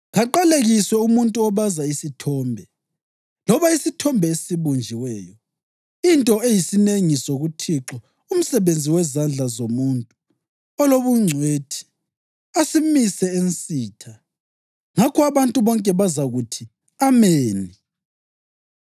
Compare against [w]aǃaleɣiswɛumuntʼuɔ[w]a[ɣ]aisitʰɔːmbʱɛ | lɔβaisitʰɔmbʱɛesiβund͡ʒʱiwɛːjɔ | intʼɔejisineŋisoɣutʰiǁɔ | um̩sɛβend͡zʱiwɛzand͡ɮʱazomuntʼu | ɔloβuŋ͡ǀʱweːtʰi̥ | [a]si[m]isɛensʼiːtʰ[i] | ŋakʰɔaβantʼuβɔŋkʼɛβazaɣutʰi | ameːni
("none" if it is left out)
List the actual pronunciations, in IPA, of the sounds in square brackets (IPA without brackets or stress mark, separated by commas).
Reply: ɣ, β, z, a, m, a